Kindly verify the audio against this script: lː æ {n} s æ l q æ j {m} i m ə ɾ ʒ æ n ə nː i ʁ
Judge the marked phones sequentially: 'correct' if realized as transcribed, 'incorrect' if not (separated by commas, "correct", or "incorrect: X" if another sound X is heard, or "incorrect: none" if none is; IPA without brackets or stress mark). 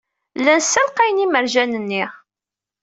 correct, incorrect: n